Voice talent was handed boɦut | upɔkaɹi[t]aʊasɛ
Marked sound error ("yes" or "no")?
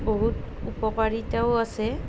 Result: no